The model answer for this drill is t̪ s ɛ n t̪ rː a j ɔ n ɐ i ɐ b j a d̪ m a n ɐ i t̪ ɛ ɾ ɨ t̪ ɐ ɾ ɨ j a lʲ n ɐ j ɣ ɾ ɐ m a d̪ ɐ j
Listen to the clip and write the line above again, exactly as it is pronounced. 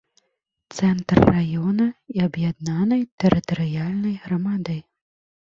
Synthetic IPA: t̪ s ɛ n t̪ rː a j ɔ n ɐ i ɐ b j a d̪ n a n ɐ j t̪ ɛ ɾ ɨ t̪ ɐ ɾ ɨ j a lʲ n ɐ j ɣ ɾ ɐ m a d̪ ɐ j